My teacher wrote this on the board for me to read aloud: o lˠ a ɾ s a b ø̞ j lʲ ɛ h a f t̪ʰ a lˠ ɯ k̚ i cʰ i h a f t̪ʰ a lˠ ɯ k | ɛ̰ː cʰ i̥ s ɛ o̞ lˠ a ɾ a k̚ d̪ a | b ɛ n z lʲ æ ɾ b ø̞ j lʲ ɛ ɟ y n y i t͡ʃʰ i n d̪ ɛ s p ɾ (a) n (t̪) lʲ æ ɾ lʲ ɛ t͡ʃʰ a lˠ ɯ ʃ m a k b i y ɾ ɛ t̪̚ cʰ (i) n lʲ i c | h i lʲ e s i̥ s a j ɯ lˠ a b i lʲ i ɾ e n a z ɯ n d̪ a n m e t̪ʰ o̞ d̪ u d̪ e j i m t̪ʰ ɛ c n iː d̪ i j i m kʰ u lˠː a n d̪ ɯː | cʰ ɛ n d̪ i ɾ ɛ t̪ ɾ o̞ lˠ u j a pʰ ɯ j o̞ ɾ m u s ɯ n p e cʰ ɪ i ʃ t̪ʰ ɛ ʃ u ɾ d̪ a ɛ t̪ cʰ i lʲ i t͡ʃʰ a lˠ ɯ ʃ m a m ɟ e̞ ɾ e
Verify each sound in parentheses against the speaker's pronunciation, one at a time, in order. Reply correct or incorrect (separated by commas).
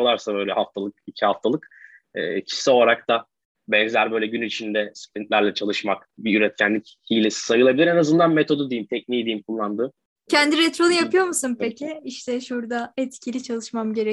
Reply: incorrect, correct, incorrect